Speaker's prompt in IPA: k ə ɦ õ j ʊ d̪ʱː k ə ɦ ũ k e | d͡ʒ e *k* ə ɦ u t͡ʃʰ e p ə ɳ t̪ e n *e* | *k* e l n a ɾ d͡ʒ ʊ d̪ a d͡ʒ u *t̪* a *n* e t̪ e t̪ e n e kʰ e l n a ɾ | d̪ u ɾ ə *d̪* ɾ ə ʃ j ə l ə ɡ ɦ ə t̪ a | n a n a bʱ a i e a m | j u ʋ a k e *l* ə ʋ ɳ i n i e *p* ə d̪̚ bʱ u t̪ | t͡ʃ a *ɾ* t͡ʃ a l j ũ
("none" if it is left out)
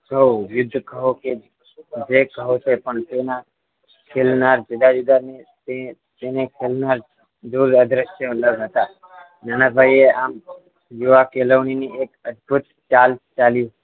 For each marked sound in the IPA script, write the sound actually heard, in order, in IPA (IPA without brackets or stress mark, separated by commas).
k, a, kʰ, d̪, n, d̪, l, k, l